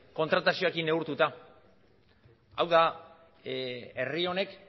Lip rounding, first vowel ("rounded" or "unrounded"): rounded